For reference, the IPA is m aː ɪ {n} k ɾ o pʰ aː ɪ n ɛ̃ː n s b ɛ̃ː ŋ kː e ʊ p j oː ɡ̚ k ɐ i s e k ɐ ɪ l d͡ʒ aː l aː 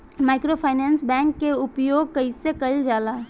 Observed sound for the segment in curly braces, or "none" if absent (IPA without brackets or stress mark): none